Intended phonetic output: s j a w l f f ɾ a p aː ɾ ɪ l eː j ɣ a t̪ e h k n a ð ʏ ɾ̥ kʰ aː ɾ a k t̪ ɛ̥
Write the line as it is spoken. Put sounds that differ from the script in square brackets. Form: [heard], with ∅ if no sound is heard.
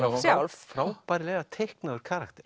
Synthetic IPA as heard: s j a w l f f ɾ a p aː ɾ ɪ l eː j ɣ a [t̪ʰ] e h k n a ð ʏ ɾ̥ kʰ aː ɾ a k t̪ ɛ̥